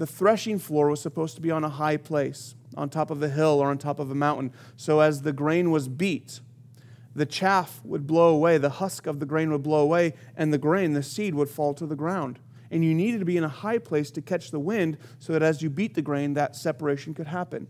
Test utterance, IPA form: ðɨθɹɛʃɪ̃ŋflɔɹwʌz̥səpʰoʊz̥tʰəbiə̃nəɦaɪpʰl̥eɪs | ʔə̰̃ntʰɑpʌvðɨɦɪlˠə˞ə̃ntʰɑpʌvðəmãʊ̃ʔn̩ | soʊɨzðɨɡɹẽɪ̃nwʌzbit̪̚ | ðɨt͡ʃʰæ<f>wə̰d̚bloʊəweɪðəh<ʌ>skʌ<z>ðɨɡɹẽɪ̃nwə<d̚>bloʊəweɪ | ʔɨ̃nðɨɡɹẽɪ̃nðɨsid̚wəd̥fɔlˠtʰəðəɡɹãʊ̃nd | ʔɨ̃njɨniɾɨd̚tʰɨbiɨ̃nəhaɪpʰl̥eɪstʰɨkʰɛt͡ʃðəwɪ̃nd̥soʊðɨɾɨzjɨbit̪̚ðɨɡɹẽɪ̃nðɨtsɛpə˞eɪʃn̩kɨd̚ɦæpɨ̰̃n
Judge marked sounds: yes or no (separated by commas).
yes, yes, no, yes